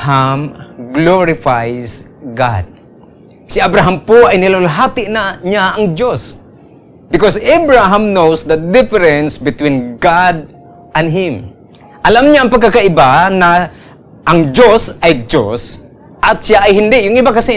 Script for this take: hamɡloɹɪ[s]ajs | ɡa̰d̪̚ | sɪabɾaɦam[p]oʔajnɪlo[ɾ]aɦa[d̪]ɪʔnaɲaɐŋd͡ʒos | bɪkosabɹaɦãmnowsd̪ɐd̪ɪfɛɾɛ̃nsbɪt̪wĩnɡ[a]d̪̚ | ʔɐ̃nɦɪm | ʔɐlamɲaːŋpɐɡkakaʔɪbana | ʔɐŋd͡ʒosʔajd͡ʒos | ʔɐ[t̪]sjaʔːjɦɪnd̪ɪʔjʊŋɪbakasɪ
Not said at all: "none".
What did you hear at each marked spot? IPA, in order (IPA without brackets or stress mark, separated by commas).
f, p, l, t̪, a, t̪